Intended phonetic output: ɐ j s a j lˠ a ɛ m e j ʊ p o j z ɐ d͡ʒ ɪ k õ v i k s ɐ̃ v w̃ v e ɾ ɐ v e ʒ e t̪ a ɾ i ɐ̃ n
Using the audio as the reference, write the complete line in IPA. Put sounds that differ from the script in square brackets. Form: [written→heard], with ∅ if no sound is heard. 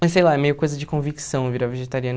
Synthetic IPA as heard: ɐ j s [a→e] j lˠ a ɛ m e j ʊ [p→k] o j z ɐ d͡ʒ ɪ k õ v i k s ɐ̃ [v→∅] w̃ v [e→i] ɾ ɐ v e ʒ e t̪ a ɾ i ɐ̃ n

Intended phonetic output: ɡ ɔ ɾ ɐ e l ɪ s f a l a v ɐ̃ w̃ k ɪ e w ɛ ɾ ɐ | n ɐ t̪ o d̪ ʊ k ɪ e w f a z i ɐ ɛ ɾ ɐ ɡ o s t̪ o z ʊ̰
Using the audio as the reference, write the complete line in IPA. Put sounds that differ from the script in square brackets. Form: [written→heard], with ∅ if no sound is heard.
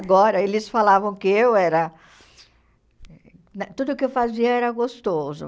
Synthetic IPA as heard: ɡ ɔ ɾ ɐ e l ɪ s f a l a v ɐ̃ w̃ k ɪ e w ɛ ɾ ɐ | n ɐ t̪ [o→u] d̪ ʊ k ɪ e w f a z i ɐ ɛ ɾ ɐ ɡ o s t̪ o z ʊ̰

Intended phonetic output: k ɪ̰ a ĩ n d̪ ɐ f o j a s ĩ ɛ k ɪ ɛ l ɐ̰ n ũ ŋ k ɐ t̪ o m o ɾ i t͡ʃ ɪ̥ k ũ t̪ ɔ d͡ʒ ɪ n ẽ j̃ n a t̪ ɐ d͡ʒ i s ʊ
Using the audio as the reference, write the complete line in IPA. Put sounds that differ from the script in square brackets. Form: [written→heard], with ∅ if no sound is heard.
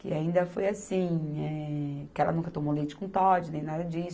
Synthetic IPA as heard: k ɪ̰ a ĩ n d̪ ɐ f o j a s ĩ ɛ k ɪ ɛ l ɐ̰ n ũ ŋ k ɐ t̪ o m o [ɾ→l] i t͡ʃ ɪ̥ k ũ t̪ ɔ d͡ʒ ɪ n ẽ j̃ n a [t̪→d̪] ɐ d͡ʒ i s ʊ

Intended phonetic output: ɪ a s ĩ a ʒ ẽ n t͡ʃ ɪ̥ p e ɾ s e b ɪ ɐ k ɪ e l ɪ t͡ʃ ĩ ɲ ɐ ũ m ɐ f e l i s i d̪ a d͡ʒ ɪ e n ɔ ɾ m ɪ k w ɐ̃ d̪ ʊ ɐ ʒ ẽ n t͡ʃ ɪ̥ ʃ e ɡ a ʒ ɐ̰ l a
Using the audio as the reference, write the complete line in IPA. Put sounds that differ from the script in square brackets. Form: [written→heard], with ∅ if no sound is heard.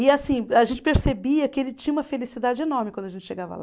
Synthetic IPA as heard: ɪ a s ĩ a ʒ ẽ n t͡ʃ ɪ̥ p e ɾ s e b [ɪ→i] ɐ k ɪ e l ɪ t͡ʃ ĩ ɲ ɐ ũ m ɐ f e l i s i d̪ a d͡ʒ ɪ e n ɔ ɾ m ɪ k w ɐ̃ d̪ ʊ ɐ ʒ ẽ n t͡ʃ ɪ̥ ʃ e ɡ a [ʒ→v] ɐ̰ l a

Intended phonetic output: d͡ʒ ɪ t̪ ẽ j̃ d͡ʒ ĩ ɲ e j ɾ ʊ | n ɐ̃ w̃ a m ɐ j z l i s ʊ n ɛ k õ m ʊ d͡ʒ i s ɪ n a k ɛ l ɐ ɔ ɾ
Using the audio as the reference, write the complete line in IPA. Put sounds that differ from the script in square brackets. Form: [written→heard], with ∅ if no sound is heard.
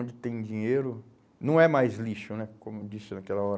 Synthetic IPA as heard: d͡ʒ ɪ t̪ ẽ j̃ d͡ʒ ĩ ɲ e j ɾ ʊ | n ɐ̃ w̃ [a→ɛ] m [ɐ→a] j z l i [s→ʃ] ʊ n ɛ k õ m ʊ d͡ʒ i s ɪ n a k ɛ l ɐ ɔ ɾ

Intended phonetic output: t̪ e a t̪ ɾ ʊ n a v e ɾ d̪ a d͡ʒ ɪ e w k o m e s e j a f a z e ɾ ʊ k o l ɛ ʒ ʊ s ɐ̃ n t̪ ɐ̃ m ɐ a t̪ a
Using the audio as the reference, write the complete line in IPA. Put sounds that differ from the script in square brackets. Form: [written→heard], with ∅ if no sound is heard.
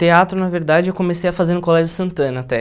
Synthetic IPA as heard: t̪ e a t̪ ɾ ʊ n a v e ɾ d̪ a d͡ʒ ɪ e w k o m e s e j [a→ɐ] f a z e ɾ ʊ k o l ɛ ʒ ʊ s ɐ̃ n t̪ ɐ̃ [m→n] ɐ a t̪ [a→ɛ]

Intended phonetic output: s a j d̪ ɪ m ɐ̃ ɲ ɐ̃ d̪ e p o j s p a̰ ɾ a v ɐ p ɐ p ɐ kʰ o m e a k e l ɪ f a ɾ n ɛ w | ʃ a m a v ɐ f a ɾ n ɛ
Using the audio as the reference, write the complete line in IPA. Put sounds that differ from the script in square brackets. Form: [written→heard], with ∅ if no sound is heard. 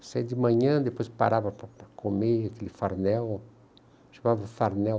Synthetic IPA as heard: s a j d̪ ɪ m ɐ̃ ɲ ɐ̃ d̪ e p o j s p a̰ ɾ a v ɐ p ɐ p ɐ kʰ o m e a k e l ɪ f a ɾ n ɛ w | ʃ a m a v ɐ f a ɾ n ɛ

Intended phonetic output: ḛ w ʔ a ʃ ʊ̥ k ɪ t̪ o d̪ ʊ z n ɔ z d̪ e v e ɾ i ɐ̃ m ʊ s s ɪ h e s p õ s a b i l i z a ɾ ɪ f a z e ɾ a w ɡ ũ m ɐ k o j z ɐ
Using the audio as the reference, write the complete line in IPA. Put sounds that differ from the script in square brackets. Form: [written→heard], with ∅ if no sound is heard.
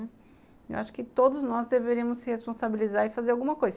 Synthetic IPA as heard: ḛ w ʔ a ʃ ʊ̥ k ɪ t̪ o d̪ ʊ z n ɔ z d̪ e v e ɾ i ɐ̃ m ʊ s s ɪ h e s p õ s a b i l i z a ɾ ɪ f a z e ɾ a w ɡ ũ m ɐ k o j z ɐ

